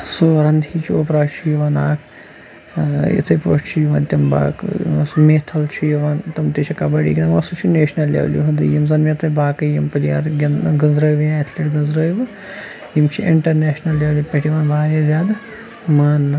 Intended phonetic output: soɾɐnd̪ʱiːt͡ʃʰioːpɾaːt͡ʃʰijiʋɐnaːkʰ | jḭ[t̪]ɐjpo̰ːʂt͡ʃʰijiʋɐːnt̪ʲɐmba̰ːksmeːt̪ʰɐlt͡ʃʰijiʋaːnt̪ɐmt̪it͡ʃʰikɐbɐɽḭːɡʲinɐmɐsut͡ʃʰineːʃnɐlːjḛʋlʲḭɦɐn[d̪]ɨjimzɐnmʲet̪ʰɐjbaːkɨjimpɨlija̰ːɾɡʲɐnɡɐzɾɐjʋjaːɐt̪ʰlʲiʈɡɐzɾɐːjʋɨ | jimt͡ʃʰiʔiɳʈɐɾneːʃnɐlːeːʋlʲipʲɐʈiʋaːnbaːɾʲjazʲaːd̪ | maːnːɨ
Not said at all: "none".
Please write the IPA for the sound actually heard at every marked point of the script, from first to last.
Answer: t̪ʰ, d̪

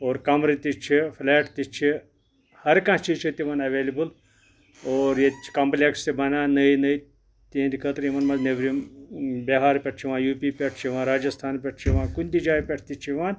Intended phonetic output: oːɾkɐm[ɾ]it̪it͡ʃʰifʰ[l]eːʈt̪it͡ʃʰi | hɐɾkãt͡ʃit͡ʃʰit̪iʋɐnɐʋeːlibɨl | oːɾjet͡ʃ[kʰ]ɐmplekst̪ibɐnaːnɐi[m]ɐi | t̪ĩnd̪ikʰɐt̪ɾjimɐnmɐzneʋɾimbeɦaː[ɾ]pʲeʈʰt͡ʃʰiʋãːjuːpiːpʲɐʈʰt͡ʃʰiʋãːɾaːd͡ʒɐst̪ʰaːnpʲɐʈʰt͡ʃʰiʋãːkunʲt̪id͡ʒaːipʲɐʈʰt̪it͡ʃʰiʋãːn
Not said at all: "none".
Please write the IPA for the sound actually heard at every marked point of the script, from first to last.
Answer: ɾ, l, k, n, ɾ

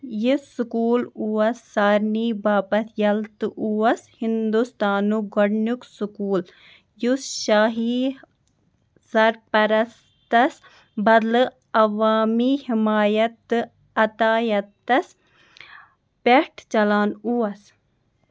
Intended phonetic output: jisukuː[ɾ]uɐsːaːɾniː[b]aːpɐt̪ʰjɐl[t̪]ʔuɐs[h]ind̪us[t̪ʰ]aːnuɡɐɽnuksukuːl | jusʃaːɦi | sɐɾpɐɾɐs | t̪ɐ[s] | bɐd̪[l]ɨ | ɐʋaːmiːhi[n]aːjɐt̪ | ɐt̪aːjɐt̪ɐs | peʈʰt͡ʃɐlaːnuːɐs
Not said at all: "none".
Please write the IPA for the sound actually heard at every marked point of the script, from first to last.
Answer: l, b, t̪, h, t̪, s, l, m

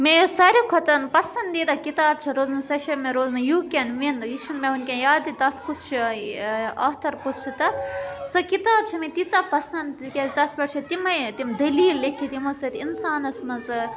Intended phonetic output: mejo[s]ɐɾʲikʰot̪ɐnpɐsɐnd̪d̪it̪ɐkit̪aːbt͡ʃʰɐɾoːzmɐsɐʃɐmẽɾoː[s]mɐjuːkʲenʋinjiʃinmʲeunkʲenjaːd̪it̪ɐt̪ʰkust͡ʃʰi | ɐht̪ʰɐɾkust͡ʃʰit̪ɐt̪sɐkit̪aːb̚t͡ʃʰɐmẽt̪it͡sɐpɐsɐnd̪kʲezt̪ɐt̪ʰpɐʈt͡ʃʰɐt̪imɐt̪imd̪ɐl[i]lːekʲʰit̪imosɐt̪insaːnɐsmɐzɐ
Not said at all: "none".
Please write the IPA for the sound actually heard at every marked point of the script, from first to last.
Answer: s, z, iː

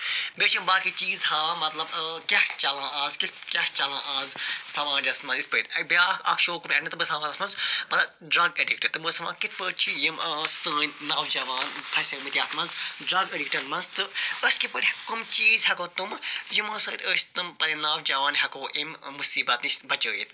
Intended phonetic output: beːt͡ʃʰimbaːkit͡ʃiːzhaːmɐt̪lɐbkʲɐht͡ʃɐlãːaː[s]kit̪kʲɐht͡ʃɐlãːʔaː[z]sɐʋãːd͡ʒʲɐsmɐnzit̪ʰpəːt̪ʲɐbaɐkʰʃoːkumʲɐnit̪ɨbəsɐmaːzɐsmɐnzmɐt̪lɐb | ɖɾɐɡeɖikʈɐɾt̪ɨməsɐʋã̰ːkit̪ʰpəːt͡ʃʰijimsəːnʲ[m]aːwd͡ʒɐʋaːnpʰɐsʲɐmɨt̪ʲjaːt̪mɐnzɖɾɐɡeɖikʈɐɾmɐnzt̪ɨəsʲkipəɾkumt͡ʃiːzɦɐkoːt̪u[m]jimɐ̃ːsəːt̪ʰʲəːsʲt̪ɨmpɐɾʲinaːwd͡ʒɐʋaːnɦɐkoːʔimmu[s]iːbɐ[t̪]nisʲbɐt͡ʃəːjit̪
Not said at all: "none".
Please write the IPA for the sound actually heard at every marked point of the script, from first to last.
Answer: z, z, n, m, s, t̪

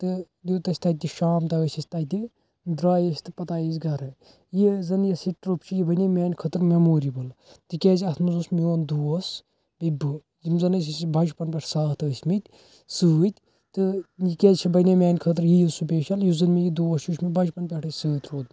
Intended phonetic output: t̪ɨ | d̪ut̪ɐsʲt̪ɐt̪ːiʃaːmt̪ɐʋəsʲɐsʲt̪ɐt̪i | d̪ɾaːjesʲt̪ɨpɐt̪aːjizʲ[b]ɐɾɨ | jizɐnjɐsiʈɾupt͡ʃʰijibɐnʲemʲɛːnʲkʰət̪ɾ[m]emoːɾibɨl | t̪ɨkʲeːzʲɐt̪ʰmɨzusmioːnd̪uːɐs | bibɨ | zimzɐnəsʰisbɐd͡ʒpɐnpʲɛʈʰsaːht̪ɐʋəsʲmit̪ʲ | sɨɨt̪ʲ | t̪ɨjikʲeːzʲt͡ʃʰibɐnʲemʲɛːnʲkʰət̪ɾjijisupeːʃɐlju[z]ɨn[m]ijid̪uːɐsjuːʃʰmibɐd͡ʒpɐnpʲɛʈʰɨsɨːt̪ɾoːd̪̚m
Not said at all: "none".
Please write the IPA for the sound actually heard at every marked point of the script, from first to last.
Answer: ɡ, m, z, m

